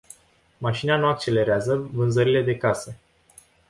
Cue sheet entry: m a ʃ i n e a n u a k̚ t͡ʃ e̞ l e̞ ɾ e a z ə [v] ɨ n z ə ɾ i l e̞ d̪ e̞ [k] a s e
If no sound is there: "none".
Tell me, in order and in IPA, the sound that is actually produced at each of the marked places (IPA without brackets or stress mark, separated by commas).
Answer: v, k